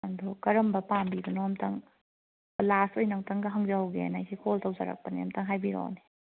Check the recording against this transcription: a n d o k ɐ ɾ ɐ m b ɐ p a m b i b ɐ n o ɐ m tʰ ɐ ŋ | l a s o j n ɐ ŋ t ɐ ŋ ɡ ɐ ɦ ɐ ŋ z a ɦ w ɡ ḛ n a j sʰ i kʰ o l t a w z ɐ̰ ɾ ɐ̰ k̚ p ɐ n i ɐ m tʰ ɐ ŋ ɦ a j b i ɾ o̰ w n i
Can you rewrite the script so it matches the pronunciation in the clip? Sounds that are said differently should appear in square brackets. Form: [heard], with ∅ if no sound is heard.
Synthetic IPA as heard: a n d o k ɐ ɾ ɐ m b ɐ p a m b i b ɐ n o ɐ m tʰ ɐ ŋ | l a s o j n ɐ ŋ t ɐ ŋ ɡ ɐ ɦ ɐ ŋ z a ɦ w ɡ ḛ n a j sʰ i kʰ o l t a w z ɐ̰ ɾ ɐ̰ k̚ p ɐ n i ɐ m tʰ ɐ ŋ ɦ a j b i ɾ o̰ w n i